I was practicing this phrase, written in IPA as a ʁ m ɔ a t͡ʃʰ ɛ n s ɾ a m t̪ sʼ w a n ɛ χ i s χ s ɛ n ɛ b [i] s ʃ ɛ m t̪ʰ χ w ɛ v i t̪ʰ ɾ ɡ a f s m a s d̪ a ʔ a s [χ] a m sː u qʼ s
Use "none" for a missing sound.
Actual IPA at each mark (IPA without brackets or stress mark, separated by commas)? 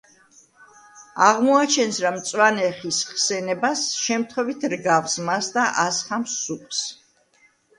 a, χ